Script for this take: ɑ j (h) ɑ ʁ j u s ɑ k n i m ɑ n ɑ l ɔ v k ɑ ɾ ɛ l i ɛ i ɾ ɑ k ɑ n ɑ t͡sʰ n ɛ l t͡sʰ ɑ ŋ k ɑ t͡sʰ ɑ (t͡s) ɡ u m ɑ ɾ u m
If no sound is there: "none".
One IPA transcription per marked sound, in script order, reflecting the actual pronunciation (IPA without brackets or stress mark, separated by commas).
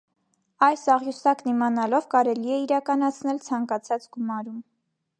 s, t͡s